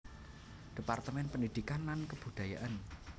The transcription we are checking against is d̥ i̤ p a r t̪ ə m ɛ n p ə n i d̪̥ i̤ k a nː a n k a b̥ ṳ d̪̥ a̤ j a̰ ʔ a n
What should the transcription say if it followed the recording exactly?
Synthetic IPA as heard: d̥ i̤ p a r t̪ ə m ɛ n p ə n i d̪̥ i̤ k a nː a n k ə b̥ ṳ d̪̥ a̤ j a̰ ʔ a n